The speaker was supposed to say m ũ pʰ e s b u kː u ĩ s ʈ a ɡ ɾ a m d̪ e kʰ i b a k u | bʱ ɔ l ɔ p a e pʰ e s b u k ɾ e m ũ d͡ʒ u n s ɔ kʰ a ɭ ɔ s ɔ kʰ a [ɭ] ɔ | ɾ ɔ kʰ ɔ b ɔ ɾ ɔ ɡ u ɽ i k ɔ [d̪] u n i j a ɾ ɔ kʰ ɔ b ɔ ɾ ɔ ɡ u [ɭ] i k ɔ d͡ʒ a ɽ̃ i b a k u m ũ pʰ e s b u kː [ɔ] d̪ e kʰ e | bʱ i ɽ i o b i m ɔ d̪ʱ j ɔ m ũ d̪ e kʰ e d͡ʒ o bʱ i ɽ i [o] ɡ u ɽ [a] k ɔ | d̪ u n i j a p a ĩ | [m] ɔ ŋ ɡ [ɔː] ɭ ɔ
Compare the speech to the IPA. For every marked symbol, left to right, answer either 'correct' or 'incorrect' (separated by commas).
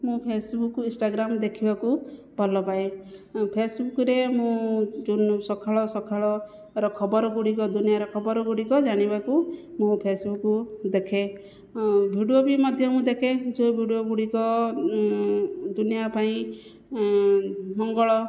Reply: correct, correct, incorrect, incorrect, correct, incorrect, correct, incorrect